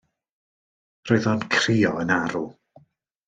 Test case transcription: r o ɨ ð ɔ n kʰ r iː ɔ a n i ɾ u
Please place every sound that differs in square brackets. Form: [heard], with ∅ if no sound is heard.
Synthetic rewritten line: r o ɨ ð ɔ n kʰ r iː ɔ [ə] n [a] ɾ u